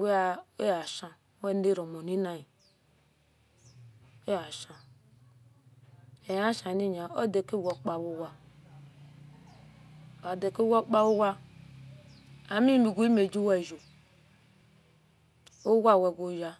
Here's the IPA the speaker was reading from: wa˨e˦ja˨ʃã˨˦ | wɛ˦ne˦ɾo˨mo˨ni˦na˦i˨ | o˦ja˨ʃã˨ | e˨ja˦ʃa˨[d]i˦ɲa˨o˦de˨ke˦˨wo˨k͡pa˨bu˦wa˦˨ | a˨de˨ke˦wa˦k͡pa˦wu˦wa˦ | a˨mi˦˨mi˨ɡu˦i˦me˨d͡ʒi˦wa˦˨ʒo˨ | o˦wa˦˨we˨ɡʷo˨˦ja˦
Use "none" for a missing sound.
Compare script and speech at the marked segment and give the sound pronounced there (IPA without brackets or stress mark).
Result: n